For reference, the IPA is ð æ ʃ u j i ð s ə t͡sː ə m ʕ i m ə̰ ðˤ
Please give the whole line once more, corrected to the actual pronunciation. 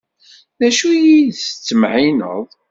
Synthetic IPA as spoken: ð æ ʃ u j i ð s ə t͡sː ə m ʕ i n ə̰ ðˤ

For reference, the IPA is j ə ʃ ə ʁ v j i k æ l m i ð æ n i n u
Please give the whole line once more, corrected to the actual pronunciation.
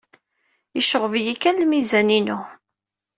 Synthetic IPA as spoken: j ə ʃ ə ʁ v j i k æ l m i z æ n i n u

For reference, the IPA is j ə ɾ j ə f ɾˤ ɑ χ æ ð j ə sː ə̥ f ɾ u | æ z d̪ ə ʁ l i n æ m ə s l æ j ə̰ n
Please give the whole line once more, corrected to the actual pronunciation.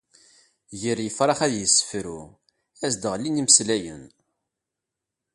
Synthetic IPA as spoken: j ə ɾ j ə f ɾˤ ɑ χ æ ð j ə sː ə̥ f ɾ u | æ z d̪ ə ʁ l i n i m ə s l æ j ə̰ n

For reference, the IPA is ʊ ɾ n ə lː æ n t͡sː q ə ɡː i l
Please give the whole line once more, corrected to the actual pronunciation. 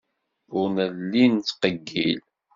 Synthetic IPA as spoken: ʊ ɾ n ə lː i n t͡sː q ə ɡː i l

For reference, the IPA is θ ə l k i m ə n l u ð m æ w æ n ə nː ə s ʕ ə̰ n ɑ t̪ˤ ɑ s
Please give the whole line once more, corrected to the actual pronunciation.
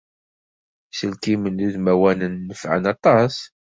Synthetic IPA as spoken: s ə l k i m ə n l u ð m æ w æ n ə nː ə f ʕ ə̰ n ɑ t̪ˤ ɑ s

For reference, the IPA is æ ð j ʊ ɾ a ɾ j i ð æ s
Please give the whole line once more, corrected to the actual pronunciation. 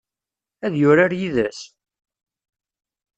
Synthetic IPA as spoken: æ ð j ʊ ɾ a ɾ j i ð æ s

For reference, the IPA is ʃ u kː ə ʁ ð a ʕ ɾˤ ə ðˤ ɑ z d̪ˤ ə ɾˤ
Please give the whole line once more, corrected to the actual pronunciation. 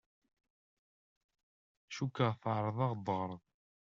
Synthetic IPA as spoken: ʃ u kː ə ʁ θ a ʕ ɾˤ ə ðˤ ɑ ʁ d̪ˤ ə ɾˤ

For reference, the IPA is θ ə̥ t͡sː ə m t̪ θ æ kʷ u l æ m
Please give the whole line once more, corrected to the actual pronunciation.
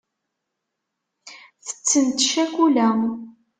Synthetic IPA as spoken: θ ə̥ t͡sː ə n t̪ ʃ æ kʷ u l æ m

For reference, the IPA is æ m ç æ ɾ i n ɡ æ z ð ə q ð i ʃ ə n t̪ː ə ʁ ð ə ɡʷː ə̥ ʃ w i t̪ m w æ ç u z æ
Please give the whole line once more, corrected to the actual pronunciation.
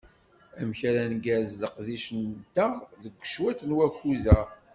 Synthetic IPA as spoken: æ m ç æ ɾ æ n ɡ æ z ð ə q ð i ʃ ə n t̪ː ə ʁ ð ə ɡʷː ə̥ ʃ w æ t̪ n w æ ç u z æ

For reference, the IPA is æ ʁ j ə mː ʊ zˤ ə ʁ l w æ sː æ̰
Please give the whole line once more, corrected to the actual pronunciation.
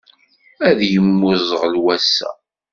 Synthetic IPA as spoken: æ ð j ə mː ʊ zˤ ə ʁ l w æ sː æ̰

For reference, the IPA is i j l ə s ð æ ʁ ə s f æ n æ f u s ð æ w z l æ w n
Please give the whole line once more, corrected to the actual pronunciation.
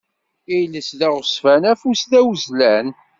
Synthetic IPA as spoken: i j l ə s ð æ ʁ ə s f æ n æ f u s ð æ w z l æ n

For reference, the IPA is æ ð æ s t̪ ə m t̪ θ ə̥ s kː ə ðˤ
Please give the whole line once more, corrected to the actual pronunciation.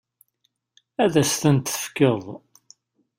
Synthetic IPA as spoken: æ ð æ s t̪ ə n t̪ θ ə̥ f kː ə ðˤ

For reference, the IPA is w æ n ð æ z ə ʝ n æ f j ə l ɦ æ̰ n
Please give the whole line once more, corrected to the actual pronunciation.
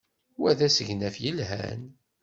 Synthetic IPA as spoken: w æ ð æ s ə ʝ n æ f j ə l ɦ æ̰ n

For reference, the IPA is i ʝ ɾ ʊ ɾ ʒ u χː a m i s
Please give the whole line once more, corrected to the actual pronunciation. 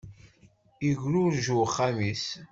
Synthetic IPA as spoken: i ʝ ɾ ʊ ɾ ʒ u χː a m i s

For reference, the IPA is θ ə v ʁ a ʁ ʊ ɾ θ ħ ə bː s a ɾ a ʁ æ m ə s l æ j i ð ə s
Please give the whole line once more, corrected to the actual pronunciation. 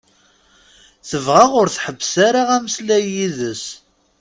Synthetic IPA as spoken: θ ə v ʁ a ʁ ʊ ɾ θ ħ ə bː s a ɾ a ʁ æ m ə s l æ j i ð ə s

